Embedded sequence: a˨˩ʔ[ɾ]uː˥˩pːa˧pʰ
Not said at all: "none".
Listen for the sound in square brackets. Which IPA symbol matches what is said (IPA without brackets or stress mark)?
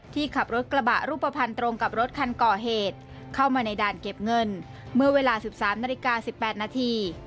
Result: ɾ